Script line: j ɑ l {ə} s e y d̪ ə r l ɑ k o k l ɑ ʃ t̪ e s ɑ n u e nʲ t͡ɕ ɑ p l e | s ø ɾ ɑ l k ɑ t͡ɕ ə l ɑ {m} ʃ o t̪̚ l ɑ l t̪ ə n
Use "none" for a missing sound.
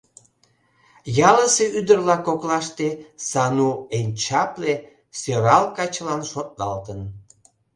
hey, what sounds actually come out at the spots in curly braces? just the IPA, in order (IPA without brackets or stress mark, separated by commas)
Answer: ə, n